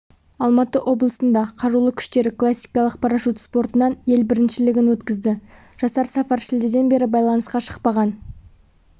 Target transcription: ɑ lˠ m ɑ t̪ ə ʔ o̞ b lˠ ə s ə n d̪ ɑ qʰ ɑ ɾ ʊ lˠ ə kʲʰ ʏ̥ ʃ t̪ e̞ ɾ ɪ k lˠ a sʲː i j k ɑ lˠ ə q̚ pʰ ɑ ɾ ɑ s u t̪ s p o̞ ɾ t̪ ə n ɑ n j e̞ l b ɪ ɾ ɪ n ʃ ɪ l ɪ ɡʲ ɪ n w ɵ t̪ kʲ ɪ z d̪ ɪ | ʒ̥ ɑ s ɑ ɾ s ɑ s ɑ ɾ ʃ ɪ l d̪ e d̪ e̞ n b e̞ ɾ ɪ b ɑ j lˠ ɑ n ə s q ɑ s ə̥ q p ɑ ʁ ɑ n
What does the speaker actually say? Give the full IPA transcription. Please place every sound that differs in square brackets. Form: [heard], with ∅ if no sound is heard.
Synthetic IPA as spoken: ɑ lˠ m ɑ t̪ ə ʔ o̞ b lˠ ə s ə n d̪ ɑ qʰ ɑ ɾ [u] lˠ ə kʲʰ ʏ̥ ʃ t̪ e̞ ɾ ɪ k lˠ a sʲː i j k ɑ lˠ ə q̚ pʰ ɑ ɾ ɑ [ʃ] u t̪ s p o̞ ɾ t̪ ə n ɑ n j e̞ l b ɪ ɾ ɪ n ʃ ɪ l ɪ ɡʲ ɪ n w ɵ t̪ kʲ ɪ z d̪ ɪ | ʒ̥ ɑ s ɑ ɾ s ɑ [f] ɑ ɾ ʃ ɪ l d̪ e d̪ e̞ n b e̞ ɾ ɪ b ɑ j lˠ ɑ n ə s q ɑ [ʃ] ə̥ q p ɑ ʁ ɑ n